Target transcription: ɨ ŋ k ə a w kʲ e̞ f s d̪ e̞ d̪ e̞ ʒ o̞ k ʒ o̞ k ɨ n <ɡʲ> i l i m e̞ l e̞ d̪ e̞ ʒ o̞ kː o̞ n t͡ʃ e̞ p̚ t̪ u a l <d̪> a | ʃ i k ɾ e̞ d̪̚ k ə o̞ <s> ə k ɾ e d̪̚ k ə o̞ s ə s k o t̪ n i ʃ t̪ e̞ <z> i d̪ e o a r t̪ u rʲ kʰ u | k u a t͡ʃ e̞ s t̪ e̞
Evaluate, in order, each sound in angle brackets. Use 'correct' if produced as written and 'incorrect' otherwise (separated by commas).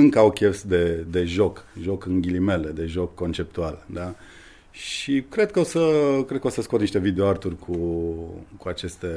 correct, correct, correct, incorrect